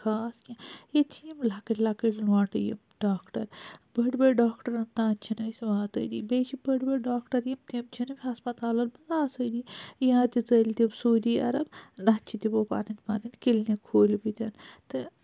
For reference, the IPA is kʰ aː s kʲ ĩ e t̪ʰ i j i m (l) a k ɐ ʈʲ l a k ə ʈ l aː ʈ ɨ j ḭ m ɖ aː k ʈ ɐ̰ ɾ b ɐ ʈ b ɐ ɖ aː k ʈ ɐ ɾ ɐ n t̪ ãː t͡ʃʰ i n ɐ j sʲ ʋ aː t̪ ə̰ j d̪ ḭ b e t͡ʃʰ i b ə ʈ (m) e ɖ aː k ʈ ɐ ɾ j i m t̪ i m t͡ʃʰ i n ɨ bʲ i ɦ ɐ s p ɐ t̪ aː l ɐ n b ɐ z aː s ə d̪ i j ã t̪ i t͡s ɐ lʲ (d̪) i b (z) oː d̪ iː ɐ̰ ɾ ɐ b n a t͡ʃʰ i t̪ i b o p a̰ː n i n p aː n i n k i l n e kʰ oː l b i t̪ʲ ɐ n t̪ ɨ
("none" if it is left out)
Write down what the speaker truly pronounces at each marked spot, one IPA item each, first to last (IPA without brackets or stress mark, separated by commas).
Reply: l, b, t̪, s